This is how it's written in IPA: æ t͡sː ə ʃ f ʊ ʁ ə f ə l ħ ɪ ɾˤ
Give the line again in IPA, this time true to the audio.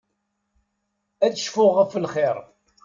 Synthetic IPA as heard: æ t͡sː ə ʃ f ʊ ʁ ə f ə l χ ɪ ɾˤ